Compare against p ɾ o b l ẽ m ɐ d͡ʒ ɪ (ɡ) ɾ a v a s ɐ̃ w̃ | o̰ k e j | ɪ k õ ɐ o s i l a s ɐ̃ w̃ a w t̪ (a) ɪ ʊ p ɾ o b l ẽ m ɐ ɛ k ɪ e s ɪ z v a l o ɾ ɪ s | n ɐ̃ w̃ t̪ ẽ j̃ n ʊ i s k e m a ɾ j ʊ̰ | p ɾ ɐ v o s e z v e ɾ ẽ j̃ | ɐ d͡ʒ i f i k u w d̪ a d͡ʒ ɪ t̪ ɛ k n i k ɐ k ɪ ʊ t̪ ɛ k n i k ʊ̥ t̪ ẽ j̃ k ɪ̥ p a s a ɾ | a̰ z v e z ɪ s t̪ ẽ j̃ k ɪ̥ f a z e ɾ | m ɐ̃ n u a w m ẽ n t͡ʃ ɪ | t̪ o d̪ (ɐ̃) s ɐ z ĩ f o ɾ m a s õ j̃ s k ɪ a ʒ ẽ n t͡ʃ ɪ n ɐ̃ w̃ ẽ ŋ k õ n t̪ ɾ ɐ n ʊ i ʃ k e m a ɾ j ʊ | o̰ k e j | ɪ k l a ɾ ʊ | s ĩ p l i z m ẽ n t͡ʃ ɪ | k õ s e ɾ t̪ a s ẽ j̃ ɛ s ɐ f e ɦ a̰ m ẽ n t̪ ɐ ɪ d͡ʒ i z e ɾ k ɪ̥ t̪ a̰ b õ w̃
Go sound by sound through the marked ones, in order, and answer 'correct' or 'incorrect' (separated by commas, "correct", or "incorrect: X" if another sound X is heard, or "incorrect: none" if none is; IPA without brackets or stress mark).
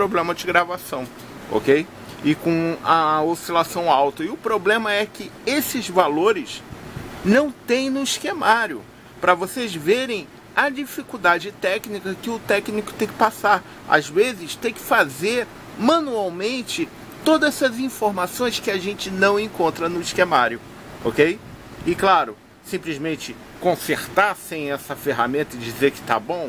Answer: correct, incorrect: ɐ, incorrect: ɐ